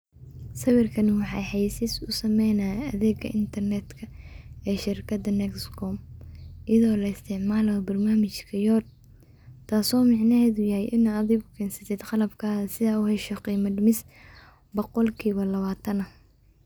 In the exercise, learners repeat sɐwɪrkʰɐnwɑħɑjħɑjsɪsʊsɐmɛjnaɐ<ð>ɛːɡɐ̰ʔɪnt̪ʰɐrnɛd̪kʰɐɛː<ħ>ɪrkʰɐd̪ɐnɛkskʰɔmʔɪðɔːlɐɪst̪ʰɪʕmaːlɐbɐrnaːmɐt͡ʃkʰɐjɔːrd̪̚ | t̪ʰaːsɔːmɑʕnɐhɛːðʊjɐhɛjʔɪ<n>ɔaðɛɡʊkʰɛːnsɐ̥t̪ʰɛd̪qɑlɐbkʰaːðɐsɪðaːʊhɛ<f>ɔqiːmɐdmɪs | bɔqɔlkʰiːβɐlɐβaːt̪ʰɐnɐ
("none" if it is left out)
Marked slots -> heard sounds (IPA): ð, ʃ, n, ʃ

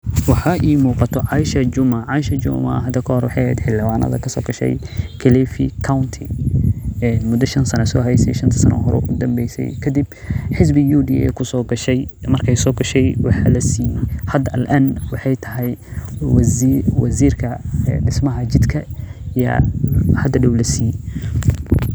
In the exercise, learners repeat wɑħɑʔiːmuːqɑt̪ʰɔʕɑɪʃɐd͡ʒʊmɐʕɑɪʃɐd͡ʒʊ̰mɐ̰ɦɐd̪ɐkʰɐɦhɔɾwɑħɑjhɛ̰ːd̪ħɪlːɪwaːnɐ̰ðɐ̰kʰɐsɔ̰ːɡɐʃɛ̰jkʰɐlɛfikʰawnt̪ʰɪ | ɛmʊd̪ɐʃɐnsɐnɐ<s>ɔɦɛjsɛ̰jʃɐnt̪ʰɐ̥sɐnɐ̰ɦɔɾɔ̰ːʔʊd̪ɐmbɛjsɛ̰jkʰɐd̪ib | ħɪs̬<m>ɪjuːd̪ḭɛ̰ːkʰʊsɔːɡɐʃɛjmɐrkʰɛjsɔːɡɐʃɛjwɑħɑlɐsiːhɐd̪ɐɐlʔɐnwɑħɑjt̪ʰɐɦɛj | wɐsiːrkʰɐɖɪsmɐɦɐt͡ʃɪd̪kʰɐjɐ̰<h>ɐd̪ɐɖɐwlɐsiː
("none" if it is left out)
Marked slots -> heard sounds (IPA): s, b, h

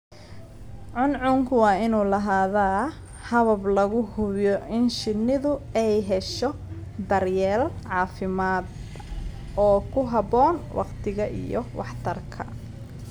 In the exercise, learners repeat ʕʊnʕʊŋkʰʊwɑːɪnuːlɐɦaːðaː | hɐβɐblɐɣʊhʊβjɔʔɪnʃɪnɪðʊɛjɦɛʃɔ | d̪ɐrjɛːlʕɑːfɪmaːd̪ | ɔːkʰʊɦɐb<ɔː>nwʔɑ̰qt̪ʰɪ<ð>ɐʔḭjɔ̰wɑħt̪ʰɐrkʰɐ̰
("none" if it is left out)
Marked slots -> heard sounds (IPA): ɔː, ɣ

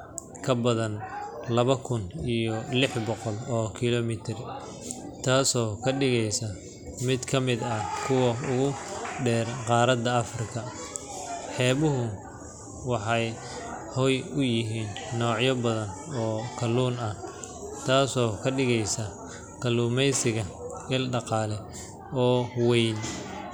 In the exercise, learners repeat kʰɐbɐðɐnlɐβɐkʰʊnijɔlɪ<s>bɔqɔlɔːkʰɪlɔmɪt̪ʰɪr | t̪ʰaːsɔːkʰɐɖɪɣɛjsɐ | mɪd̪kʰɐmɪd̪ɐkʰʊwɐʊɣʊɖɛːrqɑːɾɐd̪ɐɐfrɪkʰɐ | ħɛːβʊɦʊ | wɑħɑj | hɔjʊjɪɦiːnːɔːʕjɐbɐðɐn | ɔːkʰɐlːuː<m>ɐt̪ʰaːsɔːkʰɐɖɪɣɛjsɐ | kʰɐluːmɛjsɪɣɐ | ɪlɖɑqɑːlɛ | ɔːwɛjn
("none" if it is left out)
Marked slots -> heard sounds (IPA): ħ, n

